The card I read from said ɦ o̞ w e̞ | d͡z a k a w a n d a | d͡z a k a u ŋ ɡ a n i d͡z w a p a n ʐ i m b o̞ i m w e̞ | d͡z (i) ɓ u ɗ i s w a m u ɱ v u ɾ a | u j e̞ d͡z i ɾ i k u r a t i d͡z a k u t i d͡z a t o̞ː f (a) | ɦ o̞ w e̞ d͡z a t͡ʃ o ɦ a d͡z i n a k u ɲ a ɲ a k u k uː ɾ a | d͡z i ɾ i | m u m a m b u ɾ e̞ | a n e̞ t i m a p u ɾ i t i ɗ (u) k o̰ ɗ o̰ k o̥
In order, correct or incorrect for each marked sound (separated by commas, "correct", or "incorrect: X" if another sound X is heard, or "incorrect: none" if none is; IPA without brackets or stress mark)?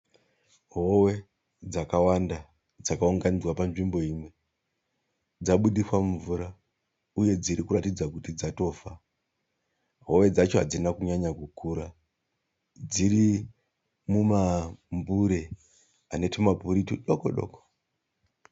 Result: incorrect: a, correct, incorrect: o